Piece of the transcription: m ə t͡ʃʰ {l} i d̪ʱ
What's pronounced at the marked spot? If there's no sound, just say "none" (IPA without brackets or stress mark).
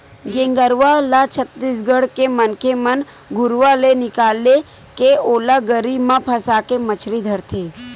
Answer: ɾ